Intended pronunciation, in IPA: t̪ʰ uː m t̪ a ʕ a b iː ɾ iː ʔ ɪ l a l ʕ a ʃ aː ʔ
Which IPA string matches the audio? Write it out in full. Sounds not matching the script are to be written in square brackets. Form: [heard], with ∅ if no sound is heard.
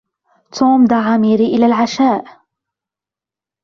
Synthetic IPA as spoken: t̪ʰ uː m [d̪] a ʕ a [m] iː ɾ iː ʔ ɪ l a l ʕ a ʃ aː ʔ